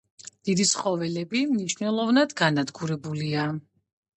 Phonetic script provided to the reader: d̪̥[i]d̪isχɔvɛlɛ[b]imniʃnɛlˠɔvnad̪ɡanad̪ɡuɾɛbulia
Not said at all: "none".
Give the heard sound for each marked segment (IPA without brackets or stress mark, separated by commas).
i, b